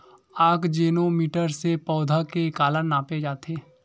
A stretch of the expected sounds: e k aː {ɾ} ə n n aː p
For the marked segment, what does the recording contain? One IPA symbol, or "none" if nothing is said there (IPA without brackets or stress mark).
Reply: l